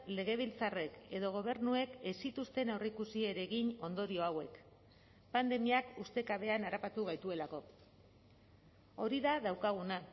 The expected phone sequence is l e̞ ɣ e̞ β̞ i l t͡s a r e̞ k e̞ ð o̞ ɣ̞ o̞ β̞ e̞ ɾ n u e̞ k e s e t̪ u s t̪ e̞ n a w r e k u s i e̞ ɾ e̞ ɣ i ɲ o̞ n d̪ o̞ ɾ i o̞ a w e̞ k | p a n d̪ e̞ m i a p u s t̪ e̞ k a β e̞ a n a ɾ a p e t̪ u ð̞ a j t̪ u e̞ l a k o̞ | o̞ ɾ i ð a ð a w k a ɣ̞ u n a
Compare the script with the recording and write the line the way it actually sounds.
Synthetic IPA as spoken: l e̞ ɣ e̞ β̞ i l t͡s a r e̞ k e̞ ð o̞ ɣ̞ o̞ β̞ e̞ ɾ n u e̞ k e s i t̪ u s t̪ e̞ n a w r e k u s i e̞ ɾ e̞ ɣ i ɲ o̞ n d̪ o̞ ɾ i o̞ a w e̞ k | p a n d̪ e̞ m i a k u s t̪ e̞ k a β e̞ a n a ɾ a p a t̪ u ɣ̞ a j t̪ u e̞ l a k o̞ | o̞ ɾ i ð a ð a w k a ɣ̞ u n a